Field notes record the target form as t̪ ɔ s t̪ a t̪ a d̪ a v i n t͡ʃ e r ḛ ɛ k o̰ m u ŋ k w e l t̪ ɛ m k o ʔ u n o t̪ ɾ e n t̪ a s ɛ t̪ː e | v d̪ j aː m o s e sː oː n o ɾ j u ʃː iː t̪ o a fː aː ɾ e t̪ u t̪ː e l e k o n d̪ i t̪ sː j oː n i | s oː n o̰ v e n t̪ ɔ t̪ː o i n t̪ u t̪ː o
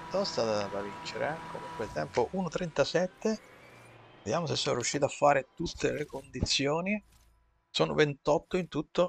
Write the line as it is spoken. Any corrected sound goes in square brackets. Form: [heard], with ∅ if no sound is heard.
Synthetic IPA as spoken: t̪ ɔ s t̪ a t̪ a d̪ a v i n t͡ʃ e [ɾ] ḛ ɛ k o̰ m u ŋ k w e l t̪ ɛ m [p] o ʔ u n o t̪ ɾ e n t̪ a s ɛ t̪ː e | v d̪ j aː m o s e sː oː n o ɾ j u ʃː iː t̪ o a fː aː ɾ e t̪ u t̪ː e l e k o n d̪ i t̪ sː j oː n i | s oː n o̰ v e n t̪ ɔ t̪ː o i n t̪ u t̪ː o